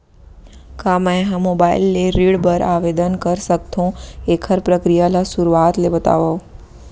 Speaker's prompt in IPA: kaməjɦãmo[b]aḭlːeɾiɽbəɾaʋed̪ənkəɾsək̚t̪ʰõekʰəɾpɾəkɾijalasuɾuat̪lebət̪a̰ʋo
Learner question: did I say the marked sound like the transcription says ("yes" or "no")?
yes